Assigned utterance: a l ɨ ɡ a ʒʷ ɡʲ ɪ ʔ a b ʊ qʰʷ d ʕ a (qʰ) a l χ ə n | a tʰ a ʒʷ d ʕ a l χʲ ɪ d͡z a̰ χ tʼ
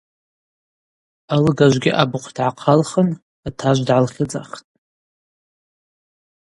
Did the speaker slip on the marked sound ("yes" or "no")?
no